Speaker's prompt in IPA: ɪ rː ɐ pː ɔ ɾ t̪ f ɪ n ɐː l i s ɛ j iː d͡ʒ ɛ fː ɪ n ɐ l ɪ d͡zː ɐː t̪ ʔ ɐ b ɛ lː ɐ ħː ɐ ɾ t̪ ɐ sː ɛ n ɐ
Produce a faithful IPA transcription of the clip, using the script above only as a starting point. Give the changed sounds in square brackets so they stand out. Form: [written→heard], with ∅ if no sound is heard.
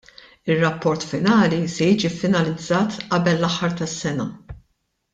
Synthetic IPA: ɪ rː ɐ pː ɔ ɾ t̪ f ɪ n ɐː l i s ɛ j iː d͡ʒ [ɛ→i] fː ɪ n ɐ l ɪ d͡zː ɐː t̪ ʔ ɐ b ɛ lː ɐ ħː ɐ ɾ t̪ ɐ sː ɛ n ɐ